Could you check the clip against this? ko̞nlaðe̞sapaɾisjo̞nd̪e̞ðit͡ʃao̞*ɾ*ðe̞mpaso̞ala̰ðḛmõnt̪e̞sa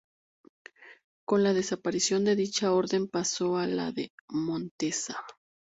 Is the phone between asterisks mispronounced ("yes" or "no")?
no